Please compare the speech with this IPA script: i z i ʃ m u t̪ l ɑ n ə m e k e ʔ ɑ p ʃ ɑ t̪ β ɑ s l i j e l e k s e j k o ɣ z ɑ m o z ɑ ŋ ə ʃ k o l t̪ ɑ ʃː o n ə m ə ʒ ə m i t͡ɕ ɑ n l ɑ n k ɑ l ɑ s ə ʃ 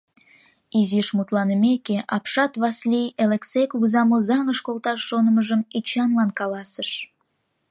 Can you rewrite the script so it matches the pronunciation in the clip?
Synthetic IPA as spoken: i z i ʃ m u t̪ l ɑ n ə m e k e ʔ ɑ p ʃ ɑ t̪ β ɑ s l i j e l e k s e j k u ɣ z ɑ m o z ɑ ŋ ə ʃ k o l t̪ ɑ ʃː o n ə m ə ʒ ə m i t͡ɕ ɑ n l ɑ n k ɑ l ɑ s ə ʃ